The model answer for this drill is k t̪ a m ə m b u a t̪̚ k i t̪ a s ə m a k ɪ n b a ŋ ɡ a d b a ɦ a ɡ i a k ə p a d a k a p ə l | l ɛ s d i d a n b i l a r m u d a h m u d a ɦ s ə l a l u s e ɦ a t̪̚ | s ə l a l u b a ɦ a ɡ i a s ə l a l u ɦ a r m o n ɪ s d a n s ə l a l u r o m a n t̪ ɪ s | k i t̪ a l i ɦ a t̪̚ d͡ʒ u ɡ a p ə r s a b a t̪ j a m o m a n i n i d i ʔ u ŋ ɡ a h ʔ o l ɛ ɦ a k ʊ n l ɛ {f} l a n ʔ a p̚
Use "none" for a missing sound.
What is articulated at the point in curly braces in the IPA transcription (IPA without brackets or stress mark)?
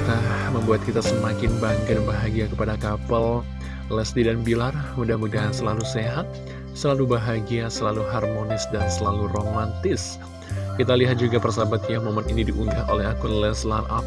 s